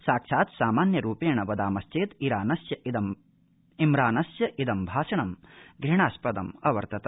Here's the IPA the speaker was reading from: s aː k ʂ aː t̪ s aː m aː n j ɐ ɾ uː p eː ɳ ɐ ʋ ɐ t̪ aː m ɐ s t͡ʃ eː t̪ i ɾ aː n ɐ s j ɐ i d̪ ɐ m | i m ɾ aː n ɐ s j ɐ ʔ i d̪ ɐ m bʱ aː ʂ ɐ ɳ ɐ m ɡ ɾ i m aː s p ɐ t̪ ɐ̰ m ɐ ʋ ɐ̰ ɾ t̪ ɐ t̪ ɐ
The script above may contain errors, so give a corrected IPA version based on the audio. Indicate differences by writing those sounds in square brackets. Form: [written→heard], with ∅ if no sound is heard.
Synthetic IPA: s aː k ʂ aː t̪ s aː m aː n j ɐ ɾ uː p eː ɳ ɐ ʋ ɐ [t̪→d̪] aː m ɐ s t͡ʃ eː t̪ i ɾ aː n ɐ s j ɐ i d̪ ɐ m | i m ɾ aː n ɐ s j ɐ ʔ i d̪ ɐ m bʱ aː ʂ ɐ ɳ ɐ m ɡ ɾ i [m→ɳ] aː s p ɐ [t̪→d̪] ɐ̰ m ɐ ʋ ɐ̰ ɾ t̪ ɐ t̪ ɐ